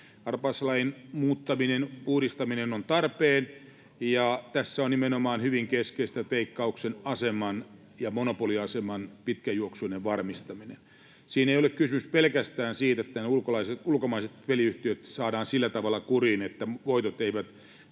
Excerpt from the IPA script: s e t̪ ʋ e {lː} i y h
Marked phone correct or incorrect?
incorrect: l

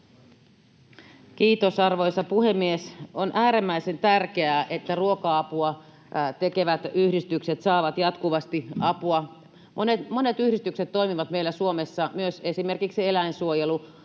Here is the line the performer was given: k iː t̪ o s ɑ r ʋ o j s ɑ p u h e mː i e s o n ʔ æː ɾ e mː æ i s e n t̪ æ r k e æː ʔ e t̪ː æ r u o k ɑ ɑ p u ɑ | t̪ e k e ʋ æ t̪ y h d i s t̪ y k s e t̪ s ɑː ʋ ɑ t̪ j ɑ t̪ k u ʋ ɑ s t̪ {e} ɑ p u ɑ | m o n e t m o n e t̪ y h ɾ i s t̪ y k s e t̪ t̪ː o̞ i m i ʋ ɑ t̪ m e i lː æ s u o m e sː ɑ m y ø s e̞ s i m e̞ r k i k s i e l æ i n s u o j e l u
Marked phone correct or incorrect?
incorrect: i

